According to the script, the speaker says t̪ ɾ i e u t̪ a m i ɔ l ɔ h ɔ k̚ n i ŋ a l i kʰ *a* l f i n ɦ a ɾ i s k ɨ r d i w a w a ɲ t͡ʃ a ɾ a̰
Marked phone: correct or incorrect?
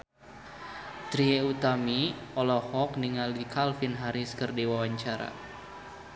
correct